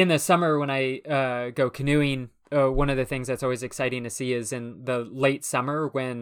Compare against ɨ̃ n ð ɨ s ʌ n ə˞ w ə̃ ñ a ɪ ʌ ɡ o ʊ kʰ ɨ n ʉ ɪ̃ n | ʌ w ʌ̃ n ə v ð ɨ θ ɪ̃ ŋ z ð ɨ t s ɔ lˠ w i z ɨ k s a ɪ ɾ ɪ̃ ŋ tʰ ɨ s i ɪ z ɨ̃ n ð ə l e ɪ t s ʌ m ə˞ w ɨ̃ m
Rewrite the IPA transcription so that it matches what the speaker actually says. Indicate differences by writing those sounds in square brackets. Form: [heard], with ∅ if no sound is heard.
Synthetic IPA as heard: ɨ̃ n ð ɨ s ʌ [m] ə˞ w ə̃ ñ a ɪ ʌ ɡ o ʊ kʰ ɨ n ʉ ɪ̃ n | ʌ w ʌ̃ n [ʌ] v ð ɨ θ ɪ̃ ŋ z ð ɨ t s ɔ lˠ w i z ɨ k s a ɪ ɾ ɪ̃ ŋ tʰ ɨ s i ɪ z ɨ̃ n ð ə l e ɪ t s ʌ m ə˞ w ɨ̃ [n]